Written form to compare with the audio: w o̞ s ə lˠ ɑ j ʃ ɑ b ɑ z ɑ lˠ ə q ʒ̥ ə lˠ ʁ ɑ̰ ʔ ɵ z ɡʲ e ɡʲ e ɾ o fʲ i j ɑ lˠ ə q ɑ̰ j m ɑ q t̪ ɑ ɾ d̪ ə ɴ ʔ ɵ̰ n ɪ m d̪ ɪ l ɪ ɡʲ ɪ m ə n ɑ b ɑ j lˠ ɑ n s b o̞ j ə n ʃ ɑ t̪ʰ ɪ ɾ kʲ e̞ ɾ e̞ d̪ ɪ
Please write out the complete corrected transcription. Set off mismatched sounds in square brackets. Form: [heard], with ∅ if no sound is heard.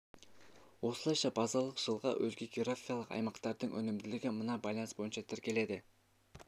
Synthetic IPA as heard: w o̞ s ə lˠ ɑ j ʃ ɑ b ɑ z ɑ lˠ ə q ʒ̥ ə lˠ ʁ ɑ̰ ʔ ɵ z ɡʲ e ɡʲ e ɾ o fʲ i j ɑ lˠ ə q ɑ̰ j m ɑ q t̪ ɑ ɾ d̪ ə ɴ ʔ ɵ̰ n ɪ m d̪ ɪ l ɪ ɡʲ ɪ m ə n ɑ b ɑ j lˠ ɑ n s b o̞ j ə n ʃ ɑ t̪ʰ ɪ ɾ kʲ e̞ [l] e̞ d̪ ɪ